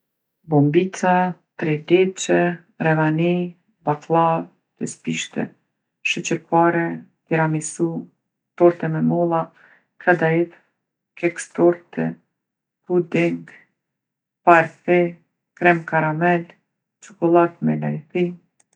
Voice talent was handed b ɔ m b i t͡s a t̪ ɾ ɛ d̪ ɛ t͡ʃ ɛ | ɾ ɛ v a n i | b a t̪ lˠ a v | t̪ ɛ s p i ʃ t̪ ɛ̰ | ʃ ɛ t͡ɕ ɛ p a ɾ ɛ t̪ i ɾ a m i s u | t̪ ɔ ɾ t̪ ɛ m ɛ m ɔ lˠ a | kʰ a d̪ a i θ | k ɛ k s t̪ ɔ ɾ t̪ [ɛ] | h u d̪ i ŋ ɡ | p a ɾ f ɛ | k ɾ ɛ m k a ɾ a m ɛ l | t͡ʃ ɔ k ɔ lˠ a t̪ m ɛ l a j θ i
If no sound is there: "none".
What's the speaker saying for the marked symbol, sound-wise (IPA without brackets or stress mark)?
ɛ